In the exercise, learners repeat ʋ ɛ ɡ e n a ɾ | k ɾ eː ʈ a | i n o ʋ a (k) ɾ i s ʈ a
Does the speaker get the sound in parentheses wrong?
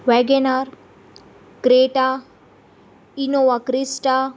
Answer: no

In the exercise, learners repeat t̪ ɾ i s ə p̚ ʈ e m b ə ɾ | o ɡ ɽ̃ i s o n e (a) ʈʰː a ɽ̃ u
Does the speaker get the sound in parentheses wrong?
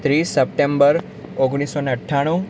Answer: yes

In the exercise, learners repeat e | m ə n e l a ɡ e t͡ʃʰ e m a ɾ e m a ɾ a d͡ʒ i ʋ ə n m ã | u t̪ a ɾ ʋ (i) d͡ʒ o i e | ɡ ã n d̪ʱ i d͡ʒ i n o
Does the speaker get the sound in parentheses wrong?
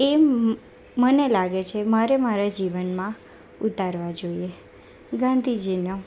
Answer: yes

